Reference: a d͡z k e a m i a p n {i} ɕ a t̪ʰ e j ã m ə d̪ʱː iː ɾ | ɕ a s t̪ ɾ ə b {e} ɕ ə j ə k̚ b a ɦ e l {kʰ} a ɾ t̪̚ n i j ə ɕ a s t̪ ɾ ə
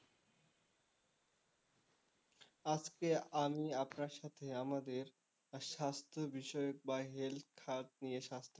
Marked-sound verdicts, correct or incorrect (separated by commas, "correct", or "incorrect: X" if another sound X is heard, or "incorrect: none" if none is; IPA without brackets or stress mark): incorrect: a, incorrect: i, correct